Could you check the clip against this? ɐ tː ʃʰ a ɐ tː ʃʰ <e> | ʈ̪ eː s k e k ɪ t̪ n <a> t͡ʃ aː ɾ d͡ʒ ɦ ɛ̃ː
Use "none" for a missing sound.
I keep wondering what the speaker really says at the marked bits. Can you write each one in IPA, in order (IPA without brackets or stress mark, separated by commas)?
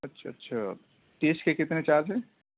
a, e